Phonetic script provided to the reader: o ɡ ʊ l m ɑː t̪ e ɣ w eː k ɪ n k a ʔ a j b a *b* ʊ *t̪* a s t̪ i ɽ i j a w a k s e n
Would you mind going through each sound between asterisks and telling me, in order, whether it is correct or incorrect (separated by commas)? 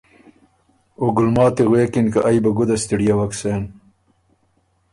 incorrect, incorrect